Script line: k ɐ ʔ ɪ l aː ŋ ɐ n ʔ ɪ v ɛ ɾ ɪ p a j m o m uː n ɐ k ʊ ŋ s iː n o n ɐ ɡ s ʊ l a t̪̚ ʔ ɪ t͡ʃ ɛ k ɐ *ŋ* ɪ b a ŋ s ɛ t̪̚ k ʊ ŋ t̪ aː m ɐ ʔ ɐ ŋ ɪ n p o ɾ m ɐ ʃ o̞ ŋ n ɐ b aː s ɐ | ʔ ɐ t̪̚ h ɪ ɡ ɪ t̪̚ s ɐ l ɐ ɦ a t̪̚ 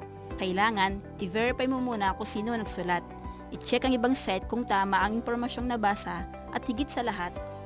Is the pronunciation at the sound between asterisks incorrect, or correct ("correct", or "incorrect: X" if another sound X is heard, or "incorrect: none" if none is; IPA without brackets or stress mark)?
correct